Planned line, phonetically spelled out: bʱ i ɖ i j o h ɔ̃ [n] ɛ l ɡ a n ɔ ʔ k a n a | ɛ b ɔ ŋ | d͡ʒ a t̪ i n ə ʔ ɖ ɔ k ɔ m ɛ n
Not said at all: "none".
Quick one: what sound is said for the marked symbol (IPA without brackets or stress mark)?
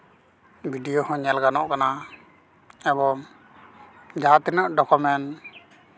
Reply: ɲ